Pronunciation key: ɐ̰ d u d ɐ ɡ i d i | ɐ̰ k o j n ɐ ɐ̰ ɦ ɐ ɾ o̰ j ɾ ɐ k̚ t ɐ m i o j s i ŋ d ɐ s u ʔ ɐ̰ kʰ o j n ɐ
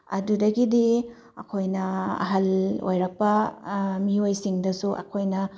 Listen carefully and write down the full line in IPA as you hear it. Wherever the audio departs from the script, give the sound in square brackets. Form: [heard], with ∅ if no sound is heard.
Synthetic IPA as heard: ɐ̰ d u d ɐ ɡ i d i | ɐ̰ [kʰ] o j n ɐ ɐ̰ ɦ ɐ [l] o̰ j ɾ ɐ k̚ [p] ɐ m i o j s i ŋ d ɐ s u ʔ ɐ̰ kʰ o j n ɐ